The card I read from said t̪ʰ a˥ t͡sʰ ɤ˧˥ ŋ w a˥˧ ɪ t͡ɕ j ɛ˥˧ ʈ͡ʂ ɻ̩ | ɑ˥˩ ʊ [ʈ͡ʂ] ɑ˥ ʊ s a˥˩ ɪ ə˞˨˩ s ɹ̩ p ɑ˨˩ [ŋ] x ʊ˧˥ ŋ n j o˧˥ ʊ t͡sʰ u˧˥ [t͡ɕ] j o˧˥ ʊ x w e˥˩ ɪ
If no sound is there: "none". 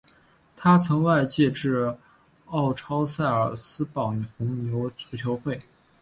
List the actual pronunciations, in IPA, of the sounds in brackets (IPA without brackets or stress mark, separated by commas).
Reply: ʈ͡ʂʰ, ŋ, t͡ɕʰ